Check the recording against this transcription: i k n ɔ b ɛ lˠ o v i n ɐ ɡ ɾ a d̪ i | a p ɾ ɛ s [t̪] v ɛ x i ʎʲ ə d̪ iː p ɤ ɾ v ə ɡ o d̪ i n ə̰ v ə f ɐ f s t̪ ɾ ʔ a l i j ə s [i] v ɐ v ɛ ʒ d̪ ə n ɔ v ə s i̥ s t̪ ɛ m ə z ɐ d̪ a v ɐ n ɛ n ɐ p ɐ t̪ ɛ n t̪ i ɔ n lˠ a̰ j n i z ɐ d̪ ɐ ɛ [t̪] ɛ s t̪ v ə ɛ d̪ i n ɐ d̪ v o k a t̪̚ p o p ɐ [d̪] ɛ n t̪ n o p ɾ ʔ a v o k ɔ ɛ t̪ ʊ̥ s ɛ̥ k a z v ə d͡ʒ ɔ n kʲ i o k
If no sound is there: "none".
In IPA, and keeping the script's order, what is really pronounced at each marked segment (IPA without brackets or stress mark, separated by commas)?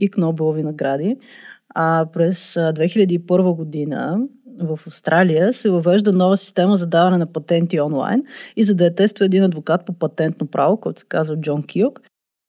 d̪, ɛ, t̪, t̪